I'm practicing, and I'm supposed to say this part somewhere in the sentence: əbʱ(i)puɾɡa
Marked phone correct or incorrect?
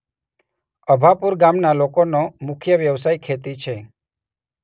incorrect